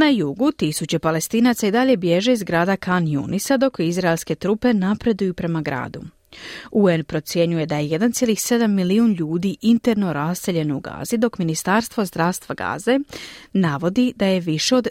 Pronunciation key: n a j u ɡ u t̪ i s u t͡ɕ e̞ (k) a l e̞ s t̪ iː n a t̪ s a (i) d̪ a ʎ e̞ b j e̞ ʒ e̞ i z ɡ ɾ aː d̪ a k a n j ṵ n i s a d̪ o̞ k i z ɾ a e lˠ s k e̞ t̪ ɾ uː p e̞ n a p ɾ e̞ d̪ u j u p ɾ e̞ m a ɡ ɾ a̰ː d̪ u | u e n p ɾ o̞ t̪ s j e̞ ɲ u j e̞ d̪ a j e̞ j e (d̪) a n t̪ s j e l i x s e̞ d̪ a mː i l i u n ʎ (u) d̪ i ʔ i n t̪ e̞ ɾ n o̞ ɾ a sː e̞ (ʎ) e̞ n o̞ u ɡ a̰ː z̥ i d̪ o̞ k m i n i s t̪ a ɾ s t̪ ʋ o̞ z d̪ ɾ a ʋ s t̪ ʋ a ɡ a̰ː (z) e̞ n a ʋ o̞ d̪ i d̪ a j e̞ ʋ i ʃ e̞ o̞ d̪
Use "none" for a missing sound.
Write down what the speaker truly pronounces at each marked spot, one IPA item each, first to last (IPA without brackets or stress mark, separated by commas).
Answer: p, i, d̪, uː, ʎ, z